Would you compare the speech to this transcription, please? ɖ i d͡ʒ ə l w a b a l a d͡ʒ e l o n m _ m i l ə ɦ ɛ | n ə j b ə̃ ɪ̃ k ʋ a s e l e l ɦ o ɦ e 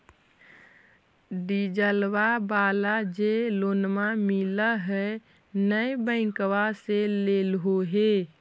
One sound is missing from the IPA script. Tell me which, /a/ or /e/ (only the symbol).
a